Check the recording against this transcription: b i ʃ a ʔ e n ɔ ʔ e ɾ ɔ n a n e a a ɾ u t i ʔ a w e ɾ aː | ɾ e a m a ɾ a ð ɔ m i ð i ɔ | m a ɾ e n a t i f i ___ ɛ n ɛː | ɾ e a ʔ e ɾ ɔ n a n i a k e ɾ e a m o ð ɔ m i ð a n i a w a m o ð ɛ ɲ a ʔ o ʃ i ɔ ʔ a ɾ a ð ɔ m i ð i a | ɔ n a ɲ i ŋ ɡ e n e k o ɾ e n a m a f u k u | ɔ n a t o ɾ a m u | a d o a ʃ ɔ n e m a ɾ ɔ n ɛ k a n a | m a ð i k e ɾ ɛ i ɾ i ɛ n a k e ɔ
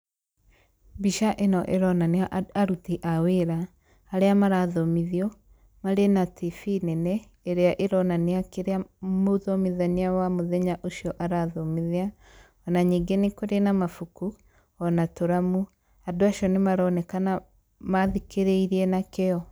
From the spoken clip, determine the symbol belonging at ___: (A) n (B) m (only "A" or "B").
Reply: A